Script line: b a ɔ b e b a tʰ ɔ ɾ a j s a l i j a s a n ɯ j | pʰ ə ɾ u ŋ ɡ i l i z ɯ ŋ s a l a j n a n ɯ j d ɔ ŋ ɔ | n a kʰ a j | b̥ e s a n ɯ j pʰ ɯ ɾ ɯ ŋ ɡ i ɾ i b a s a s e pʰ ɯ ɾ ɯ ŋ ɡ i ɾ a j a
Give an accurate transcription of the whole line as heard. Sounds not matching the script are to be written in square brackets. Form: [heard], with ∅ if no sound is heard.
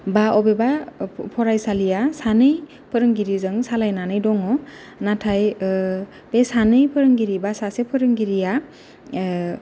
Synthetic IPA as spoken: b a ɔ b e b a [pʰ] ɔ ɾ a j s a l i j a s a n ɯ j | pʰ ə ɾ [ɯ] ŋ ɡ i [ɾ] i z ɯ ŋ s a l a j n a n ɯ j d ɔ ŋ ɔ | n a [tʰ] a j | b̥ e s a n ɯ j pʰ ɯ ɾ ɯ ŋ ɡ i ɾ i b a s a s e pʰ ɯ ɾ ɯ ŋ ɡ i ɾ [i] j a